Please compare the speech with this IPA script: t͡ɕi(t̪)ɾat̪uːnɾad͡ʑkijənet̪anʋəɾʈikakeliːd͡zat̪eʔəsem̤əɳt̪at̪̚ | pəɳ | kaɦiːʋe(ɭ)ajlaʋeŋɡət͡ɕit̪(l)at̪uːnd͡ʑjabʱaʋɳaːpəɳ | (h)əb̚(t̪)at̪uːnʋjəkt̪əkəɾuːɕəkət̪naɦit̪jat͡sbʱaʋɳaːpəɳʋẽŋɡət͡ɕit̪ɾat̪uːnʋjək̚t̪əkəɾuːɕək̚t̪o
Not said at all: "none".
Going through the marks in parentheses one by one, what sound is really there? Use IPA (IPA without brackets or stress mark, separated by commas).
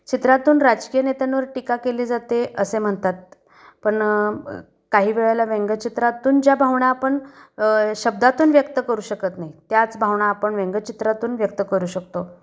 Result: t̪, ɭ, ɾ, ɕ, d̪